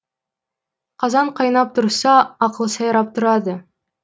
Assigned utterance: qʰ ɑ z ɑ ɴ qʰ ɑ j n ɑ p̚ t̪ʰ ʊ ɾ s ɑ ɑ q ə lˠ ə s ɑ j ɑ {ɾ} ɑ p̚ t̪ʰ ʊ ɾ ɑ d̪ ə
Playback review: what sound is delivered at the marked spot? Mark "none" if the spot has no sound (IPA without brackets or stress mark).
ɾ